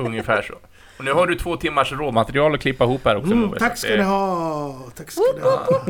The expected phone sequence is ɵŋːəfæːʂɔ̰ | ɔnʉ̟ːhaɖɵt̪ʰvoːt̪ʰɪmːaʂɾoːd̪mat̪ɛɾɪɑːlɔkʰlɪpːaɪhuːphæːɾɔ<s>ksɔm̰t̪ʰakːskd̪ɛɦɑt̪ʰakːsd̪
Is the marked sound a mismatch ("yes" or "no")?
yes